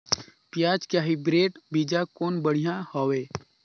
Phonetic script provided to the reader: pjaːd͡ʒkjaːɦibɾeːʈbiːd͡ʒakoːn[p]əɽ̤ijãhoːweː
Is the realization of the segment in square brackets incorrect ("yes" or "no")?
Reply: yes